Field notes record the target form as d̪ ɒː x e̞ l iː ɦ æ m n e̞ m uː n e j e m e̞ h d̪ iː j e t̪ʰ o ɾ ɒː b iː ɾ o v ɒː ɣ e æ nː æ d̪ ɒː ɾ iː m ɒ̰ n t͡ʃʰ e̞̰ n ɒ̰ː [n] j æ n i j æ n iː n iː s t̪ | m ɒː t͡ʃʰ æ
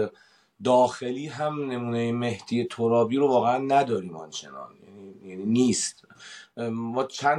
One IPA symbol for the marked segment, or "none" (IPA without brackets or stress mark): n